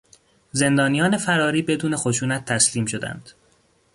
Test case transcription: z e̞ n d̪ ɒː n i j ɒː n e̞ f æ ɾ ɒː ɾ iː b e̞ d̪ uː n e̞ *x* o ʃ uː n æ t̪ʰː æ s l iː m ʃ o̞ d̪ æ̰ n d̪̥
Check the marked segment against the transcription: correct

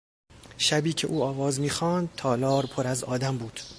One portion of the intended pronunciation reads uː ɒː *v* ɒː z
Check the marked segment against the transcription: correct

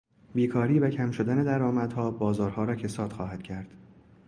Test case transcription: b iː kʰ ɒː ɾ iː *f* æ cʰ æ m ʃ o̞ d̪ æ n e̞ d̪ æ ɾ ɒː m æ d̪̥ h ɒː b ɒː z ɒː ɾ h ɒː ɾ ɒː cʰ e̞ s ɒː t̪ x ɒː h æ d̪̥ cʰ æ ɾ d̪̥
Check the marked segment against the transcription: incorrect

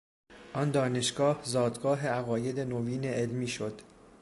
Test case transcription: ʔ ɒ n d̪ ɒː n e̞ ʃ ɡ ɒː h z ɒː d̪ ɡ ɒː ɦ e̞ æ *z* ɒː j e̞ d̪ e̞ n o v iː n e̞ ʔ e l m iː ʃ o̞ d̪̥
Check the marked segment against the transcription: incorrect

